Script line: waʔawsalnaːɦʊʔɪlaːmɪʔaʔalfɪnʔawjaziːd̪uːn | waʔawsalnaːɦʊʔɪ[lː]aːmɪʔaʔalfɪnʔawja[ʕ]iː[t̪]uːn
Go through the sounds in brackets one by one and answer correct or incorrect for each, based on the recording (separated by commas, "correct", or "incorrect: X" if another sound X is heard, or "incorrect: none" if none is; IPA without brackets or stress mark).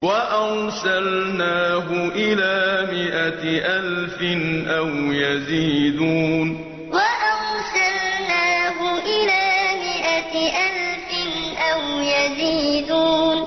incorrect: l, incorrect: z, incorrect: d̪